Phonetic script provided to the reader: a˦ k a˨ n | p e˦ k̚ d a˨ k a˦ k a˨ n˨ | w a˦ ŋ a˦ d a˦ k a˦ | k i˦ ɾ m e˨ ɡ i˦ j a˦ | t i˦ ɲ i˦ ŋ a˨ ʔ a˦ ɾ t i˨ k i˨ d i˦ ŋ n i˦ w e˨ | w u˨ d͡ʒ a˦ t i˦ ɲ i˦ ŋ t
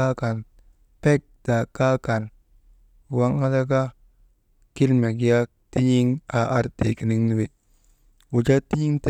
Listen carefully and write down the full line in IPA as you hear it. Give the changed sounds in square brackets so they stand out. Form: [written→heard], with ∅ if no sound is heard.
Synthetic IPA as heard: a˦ k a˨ n | p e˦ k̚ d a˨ k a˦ k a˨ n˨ | w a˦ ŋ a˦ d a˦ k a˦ | k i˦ [ɾ→l] m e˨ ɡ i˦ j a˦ | t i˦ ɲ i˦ ŋ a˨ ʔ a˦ ɾ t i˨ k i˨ [d→n] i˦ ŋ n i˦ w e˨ | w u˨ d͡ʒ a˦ t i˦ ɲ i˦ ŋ t

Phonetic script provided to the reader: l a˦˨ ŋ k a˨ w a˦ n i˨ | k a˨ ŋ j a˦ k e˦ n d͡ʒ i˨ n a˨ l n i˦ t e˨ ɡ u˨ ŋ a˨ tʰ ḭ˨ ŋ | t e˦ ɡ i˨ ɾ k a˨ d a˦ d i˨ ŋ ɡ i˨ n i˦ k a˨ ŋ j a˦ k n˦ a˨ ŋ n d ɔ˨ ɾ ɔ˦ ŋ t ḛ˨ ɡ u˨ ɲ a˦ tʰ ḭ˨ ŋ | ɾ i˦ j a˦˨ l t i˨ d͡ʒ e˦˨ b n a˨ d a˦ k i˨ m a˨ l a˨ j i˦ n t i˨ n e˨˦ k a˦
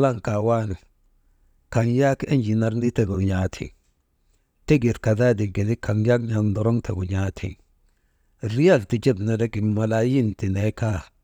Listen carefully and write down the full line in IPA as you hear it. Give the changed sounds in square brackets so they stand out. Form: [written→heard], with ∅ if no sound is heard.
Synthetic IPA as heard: l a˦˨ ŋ k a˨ w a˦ n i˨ | k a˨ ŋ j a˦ k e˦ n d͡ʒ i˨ n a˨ [l→ɾ] n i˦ t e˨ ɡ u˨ [ŋ→ɲ] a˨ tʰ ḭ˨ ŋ | t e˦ ɡ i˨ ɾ k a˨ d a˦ d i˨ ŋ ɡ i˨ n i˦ k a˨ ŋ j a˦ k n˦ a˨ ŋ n d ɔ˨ ɾ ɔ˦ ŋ t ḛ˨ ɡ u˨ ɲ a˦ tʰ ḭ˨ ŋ | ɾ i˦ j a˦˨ l t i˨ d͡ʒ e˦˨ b n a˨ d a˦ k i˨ m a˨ l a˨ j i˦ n t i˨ n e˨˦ k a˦

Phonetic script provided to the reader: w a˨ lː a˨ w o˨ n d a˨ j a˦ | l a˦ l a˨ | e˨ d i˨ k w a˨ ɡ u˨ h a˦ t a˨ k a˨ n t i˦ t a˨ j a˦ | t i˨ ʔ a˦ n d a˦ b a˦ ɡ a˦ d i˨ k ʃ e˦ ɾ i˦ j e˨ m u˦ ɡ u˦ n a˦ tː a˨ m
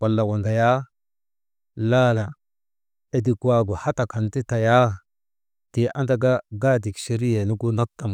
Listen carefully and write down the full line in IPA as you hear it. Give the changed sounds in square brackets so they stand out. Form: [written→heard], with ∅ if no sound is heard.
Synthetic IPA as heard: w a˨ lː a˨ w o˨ n d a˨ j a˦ | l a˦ l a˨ | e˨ d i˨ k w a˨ ɡ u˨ h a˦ t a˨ k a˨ n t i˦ t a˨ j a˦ | t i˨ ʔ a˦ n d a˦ [b→ɡ] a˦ ɡ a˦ d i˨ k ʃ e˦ ɾ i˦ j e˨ [m→n] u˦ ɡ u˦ n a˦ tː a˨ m

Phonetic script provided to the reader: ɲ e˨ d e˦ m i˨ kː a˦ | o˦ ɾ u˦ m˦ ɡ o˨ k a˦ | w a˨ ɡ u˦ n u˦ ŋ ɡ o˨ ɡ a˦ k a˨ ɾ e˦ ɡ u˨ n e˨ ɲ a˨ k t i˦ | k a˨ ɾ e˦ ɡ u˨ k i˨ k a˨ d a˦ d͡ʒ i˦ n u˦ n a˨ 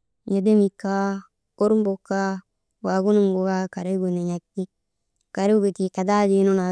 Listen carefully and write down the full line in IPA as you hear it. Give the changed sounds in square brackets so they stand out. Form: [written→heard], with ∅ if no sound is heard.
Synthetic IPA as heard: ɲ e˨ d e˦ m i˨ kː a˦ | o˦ ɾ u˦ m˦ [ɡ→b] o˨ k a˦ | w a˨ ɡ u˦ n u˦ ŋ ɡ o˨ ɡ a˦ k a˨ ɾ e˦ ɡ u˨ n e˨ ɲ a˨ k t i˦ | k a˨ ɾ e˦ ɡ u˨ [k→t] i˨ k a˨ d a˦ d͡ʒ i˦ n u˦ n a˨

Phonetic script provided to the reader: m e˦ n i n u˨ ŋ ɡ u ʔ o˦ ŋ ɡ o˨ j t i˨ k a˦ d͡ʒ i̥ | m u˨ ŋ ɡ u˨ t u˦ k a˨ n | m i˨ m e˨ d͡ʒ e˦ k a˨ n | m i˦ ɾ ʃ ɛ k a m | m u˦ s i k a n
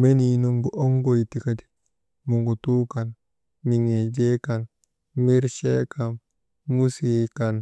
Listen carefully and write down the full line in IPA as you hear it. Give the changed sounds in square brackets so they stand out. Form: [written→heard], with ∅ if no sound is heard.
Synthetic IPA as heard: m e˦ n i n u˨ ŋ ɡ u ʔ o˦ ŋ ɡ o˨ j t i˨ k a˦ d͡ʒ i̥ | m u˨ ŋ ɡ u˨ t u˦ k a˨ n | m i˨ [m→ŋ] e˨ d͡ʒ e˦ k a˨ n | m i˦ ɾ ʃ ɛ k a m | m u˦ s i k a n

